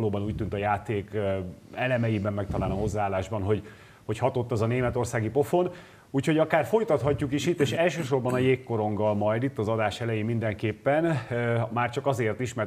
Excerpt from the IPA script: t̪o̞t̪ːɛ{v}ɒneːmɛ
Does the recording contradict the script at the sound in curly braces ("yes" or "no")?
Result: yes